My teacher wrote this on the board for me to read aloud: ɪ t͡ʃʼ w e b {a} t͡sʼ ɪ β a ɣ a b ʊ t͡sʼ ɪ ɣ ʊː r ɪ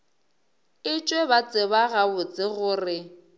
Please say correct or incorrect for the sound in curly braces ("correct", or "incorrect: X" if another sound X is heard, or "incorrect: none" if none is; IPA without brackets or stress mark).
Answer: correct